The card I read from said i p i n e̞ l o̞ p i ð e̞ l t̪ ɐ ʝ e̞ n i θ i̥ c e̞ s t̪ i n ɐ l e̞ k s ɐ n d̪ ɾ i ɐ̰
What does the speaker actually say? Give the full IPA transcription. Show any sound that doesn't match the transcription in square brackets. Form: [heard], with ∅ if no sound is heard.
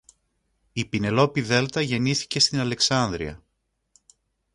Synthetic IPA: i p i n e̞ l o̞ p i ð e̞ l t̪ ɐ ʝ e̞ n i θ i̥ c e̞ s t̪ i n ɐ l e̞ k s ɐ n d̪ ɾ i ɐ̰